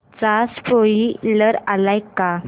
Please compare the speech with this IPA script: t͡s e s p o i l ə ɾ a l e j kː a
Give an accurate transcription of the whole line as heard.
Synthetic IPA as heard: t͡s a s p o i l ə ɾ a l a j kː a